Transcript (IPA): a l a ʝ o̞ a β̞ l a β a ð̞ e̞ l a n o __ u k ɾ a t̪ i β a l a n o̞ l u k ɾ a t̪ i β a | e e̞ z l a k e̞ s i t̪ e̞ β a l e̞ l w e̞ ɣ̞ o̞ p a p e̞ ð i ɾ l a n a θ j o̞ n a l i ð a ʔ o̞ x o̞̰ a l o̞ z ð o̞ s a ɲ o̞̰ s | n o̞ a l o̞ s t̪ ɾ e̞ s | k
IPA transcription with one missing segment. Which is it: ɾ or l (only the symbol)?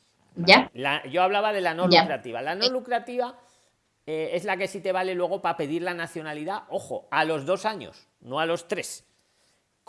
l